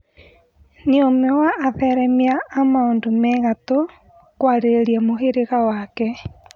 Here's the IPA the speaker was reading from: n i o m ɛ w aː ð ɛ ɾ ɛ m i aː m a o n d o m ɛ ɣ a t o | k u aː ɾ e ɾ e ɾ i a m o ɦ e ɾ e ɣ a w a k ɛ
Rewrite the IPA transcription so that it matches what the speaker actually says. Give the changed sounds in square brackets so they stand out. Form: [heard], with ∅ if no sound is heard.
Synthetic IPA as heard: n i o m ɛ w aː ð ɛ ɾ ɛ m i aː m a o n d o m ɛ ɣ a t o | k [w] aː ɾ e ɾ e ɾ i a m o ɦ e ɾ e ɣ a w a k ɛ

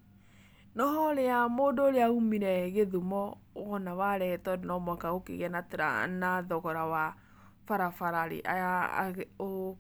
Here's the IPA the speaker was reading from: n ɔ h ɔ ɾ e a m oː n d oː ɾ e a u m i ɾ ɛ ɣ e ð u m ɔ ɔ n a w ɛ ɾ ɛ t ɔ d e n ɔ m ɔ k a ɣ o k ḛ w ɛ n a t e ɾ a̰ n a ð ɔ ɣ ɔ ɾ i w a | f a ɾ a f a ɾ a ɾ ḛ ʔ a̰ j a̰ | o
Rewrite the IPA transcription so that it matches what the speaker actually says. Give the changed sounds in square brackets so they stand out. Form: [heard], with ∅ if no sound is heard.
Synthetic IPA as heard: n ɔ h ɔ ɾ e a m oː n d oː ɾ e a u m i ɾ ɛ ɣ e ð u m ɔ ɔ n a w [a] ɾ ɛ t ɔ d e n ɔ m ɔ k a ɣ o k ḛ [ɣ] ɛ n a t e ɾ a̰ n a ð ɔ ɣ ɔ ɾ [a] w a | f a ɾ a f a ɾ a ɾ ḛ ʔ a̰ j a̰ | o

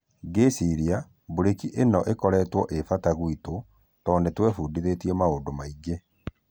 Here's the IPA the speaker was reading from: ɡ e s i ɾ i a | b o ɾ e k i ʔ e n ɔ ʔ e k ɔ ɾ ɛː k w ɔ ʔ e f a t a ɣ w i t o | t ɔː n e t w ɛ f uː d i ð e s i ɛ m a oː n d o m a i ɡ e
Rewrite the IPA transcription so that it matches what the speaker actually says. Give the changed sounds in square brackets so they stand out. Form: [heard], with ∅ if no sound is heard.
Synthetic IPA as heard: ɡ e s i ɾ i a | b o ɾ e k i ʔ e n ɔ ʔ e k ɔ ɾ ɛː [t] w ɔ ʔ e f a t a ɣ w i t o | t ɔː n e t w ɛ f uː d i ð e [t] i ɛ m a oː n d o m a i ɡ e

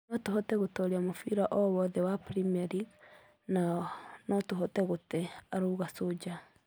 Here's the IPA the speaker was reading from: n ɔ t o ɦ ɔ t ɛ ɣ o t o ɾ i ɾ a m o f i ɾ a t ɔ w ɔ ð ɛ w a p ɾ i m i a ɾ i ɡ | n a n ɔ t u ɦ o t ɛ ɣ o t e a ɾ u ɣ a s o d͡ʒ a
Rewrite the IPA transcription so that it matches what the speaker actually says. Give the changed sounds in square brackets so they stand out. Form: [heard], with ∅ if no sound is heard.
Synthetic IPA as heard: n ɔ t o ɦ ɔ t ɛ ɣ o t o ɾ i [∅] a m o f i ɾ a [ʔ] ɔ w ɔ ð ɛ w a p ɾ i m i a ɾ i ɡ | n a n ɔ t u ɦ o t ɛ ɣ o t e a ɾ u ɣ a s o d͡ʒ a

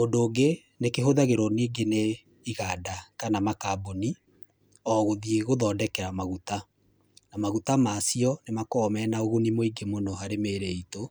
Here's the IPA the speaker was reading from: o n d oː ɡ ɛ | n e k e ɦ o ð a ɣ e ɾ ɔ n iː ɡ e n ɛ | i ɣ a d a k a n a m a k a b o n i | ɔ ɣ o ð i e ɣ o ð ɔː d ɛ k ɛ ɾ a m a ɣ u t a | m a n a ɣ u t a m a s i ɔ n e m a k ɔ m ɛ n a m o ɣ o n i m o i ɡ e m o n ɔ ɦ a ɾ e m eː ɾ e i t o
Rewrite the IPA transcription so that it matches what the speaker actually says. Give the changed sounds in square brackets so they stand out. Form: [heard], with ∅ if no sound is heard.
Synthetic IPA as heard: o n d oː ɡ [e] | n e k e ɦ o ð a ɣ e ɾ ɔ n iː ɡ e n [e] | i ɣ a d a k a n a m a k a b o n i | ɔ ɣ o ð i e ɣ o ð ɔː d ɛ k ɛ ɾ a m a ɣ u t a | [n] a [m] a ɣ u t a m a s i ɔ n e m a k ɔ m ɛ n a [∅] o ɣ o n i m o i ɡ e m o n ɔ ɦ a ɾ e m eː ɾ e i t o

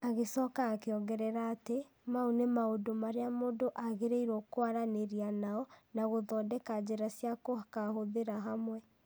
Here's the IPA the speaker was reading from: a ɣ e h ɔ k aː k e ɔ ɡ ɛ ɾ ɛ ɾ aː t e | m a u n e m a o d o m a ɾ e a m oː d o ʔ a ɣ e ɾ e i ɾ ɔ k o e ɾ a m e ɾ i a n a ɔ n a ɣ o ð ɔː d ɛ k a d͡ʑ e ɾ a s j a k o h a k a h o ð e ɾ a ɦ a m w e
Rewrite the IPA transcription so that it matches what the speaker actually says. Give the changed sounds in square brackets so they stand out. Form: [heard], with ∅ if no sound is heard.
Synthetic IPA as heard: a ɣ e [s] ɔ k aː k e ɔ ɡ ɛ ɾ ɛ ɾ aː t e | m a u n e m a o d o m a ɾ e a m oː d o ʔ a ɣ e ɾ e i ɾ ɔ k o [a] ɾ a [n] e ɾ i a n a ɔ n a ɣ o ð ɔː d ɛ k a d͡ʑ e ɾ a s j a k o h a k a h o ð e ɾ a ɦ a m w [ɛ]

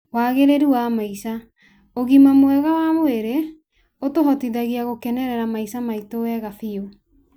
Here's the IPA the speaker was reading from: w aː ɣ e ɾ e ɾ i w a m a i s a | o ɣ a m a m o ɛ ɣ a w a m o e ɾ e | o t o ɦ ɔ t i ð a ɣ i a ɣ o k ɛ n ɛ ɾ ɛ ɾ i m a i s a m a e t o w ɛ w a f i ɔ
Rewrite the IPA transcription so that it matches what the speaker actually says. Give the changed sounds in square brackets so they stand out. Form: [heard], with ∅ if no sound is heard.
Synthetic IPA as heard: w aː ɣ e ɾ e ɾ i w a m a i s a | o ɣ [i] m a m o ɛ ɣ a w a m o e ɾ e | o t o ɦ ɔ t i ð a ɣ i a ɣ o k ɛ n ɛ ɾ ɛ ɾ [a] m a i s a m a [i] t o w ɛ [ɣ] a f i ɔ

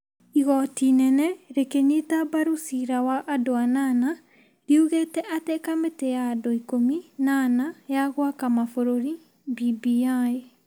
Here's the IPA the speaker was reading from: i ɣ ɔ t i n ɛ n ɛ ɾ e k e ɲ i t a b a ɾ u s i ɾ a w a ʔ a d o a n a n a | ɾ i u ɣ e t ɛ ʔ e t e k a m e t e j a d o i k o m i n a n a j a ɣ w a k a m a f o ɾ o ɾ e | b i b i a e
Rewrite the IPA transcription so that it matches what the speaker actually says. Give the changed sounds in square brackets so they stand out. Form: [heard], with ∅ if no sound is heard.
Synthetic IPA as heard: i ɣ ɔ t i n ɛ n ɛ ɾ e k e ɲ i t a b a ɾ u s i ɾ a w a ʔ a d o a n a n a | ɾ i u ɣ e t ɛ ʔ [a] t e k a m e t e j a d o i k o m i n a n a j a ɣ w a k a m a f o ɾ o ɾ [i] | b i b i a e

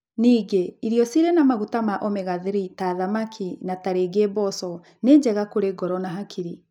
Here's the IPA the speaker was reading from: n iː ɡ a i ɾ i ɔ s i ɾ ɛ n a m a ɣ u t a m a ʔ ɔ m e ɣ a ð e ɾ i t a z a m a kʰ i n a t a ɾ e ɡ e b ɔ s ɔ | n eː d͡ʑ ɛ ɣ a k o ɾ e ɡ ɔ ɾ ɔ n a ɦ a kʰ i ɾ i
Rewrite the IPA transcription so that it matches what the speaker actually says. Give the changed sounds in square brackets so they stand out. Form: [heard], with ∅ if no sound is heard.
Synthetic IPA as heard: n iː ɡ [e] i ɾ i ɔ s i ɾ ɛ n a m a ɣ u t a m a ʔ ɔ m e ɣ a ð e ɾ i t a [ð] a m a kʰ i n a t a ɾ e ɡ e b ɔ s ɔ | n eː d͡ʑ ɛ ɣ a k o ɾ e ɡ ɔ ɾ ɔ n a ɦ a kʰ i ɾ i

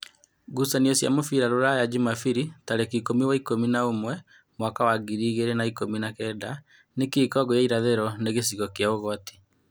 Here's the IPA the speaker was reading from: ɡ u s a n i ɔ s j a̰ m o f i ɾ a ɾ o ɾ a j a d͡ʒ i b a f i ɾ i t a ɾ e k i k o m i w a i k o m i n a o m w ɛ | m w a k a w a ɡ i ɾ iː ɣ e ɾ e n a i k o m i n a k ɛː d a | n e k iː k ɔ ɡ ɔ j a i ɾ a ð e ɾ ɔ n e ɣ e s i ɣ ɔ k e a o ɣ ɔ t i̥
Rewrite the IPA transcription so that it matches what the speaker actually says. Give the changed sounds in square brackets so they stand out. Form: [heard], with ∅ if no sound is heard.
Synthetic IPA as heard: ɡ u s a n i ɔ s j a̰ m o f i ɾ a ɾ o ɾ a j a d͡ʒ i [m] a f i ɾ i t a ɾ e k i k o m i w a i k o m i n a o m w ɛ | m w a k a w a ɡ i ɾ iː ɣ e ɾ e n a i k o m i n a k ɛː d a | n e k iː k ɔ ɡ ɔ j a i ɾ a ð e ɾ ɔ n e ɣ e s i ɣ ɔ k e a o ɣ ɔ t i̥

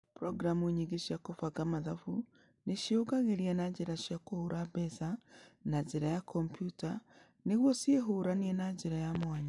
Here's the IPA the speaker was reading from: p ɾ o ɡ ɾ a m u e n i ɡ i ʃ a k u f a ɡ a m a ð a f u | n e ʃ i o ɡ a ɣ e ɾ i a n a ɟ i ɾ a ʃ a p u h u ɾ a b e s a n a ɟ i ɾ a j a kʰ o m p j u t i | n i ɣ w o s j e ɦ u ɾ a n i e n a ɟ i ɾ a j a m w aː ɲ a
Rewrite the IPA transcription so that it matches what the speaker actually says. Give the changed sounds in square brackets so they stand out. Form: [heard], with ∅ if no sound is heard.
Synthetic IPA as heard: p ɾ o ɡ ɾ a m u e [ɲ] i ɡ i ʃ a k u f a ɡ a m a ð a f u | n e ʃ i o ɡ a ɣ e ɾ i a n a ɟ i ɾ a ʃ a [k] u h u ɾ a b e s a n a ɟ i ɾ a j a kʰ o m p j u t [a] | n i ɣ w o s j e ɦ u ɾ a n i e n a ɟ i ɾ a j a m w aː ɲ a

